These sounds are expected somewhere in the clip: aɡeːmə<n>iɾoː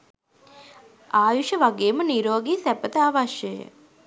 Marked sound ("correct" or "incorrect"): correct